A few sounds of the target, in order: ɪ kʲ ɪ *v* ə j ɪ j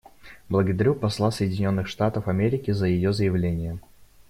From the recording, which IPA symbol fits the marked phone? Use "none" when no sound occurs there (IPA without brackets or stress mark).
z